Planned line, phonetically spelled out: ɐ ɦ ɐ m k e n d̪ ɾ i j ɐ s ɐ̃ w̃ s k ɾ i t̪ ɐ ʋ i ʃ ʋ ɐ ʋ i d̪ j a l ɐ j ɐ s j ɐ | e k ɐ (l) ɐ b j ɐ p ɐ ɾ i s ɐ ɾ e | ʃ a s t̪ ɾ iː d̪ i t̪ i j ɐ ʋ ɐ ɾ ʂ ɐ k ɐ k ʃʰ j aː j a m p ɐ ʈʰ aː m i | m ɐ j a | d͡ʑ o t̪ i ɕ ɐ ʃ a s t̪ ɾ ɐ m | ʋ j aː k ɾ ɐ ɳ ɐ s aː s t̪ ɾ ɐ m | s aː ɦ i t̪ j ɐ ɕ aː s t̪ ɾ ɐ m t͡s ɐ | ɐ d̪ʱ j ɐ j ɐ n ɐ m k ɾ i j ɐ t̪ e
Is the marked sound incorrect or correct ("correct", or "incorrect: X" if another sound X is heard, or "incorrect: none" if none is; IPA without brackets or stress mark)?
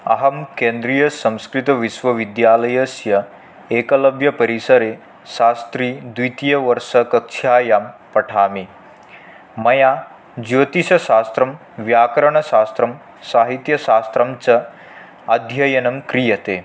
correct